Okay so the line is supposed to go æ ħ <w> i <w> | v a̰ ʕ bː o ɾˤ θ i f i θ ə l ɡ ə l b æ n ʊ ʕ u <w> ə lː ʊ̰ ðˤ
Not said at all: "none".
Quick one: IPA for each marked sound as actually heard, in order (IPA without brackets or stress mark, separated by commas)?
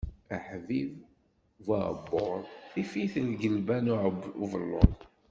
v, v, v